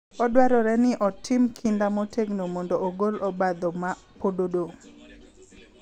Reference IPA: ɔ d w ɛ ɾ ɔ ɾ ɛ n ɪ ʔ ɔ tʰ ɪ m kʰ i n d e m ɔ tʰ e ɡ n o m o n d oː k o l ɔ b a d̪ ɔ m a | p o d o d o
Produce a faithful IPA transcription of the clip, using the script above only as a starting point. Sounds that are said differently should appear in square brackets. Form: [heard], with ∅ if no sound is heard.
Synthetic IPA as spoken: ɔ d w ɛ ɾ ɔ ɾ ɛ n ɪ ʔ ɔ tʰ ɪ m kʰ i n d [a] m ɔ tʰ e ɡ n o m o n d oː [ɡ] o l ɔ b a d̪ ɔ m a | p o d o d o